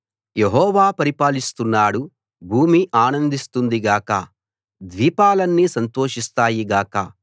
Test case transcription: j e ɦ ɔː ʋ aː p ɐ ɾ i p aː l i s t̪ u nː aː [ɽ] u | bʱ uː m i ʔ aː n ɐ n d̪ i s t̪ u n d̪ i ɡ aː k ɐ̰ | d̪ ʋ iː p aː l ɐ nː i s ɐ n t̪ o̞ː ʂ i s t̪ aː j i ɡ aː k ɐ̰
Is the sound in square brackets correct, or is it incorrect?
correct